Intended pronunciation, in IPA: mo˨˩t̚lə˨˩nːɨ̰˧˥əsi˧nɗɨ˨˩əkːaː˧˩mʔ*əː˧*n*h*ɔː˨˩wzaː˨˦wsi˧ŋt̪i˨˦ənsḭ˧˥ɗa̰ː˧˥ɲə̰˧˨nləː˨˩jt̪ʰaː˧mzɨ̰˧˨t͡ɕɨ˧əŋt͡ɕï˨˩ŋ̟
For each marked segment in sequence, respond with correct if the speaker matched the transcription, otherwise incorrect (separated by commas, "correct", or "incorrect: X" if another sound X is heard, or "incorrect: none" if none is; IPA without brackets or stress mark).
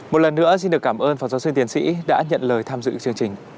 correct, incorrect: f